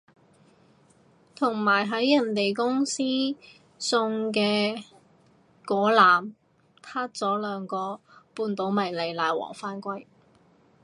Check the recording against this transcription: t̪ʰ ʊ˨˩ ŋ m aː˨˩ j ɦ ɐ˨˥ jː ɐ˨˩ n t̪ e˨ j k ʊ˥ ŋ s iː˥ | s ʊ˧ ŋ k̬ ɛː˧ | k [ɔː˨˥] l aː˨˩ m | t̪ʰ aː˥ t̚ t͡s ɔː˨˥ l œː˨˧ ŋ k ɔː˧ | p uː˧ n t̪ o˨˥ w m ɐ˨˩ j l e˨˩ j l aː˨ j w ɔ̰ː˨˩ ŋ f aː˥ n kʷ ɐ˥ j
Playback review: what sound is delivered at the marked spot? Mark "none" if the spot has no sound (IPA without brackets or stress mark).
ɔː˨˥